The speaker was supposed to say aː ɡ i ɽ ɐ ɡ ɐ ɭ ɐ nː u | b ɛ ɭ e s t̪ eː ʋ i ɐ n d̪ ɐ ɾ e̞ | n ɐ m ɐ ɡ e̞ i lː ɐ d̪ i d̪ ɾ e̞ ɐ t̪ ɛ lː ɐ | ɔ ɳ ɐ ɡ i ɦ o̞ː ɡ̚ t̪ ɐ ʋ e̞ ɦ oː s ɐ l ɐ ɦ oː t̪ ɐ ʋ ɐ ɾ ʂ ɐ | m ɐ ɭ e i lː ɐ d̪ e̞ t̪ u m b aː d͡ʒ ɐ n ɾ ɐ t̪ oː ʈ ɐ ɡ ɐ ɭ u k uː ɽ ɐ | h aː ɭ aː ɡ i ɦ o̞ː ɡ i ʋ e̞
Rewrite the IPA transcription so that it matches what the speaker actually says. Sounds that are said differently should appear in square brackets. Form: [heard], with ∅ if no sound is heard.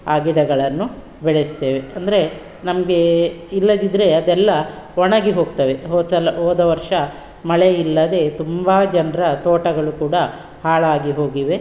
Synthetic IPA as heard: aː ɡ i ɽ ɐ ɡ ɐ ɭ ɐ nː u | b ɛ ɭ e s t̪ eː ʋ [e] ɐ n d̪ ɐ ɾ e̞ | n ɐ m ɐ ɡ e̞ i lː ɐ d̪ i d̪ ɾ e̞ ɐ [d̪] ɛ lː ɐ | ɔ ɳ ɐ ɡ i ɦ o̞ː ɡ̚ t̪ ɐ ʋ e̞ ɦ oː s ɐ l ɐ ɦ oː [d̪] ɐ ʋ ɐ ɾ ʂ ɐ | m ɐ ɭ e i lː ɐ d̪ e̞ t̪ u m b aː d͡ʒ ɐ n ɾ ɐ t̪ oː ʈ ɐ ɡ ɐ ɭ u k uː ɽ ɐ | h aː ɭ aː ɡ i ɦ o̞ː ɡ i ʋ e̞